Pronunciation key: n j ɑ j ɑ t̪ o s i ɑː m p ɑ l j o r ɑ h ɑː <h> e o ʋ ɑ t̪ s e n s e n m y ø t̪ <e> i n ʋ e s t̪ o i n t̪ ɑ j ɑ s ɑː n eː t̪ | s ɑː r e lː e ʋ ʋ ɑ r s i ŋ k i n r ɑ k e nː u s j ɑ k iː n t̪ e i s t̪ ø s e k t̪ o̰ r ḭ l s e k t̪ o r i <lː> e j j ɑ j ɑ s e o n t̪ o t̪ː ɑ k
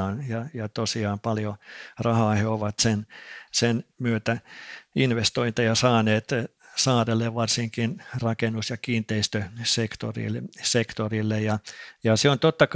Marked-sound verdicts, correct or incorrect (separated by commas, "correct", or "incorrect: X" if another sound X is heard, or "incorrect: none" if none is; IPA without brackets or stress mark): correct, incorrect: æ, correct